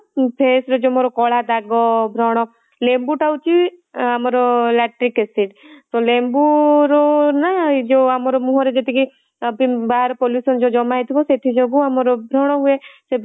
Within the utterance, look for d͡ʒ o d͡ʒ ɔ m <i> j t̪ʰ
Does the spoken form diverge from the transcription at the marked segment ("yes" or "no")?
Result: yes